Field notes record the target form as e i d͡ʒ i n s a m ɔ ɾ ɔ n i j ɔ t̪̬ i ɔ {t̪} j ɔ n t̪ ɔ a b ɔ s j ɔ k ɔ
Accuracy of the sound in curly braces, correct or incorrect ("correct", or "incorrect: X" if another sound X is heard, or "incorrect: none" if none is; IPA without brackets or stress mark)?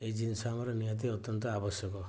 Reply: correct